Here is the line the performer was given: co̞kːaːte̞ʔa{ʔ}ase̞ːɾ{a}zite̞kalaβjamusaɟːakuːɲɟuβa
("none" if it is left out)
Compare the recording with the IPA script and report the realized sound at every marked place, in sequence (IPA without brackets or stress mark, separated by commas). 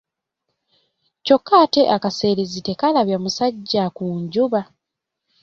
k, e